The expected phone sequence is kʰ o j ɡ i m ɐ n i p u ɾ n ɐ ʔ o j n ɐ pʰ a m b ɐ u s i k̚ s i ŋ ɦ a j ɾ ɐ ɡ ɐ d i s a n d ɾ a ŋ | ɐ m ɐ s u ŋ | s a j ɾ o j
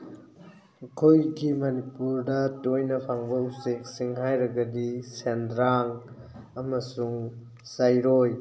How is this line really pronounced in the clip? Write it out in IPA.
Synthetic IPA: kʰ o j ɡ i m ɐ n i p u ɾ d ɐ t o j n ɐ pʰ a ŋ b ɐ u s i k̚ s i ŋ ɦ a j ɾ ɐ ɡ ɐ d i s e n d ɾ a ŋ | ɐ m ɐ s u ŋ | s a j ɾ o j